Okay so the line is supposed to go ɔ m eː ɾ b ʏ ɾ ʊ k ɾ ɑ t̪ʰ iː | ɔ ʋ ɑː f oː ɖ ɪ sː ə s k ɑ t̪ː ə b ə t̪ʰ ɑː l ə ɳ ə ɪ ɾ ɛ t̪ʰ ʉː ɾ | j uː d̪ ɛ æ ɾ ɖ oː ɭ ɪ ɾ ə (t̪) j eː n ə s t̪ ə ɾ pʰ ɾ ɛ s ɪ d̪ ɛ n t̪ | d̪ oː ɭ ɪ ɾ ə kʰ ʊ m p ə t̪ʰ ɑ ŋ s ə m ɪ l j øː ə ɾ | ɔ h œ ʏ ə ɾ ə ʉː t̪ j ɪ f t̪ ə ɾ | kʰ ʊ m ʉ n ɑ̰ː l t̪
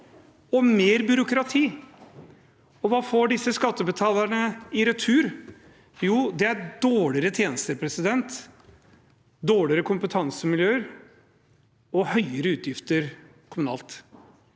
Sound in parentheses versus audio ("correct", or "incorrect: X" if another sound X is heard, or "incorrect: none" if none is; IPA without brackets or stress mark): incorrect: t̪ʰ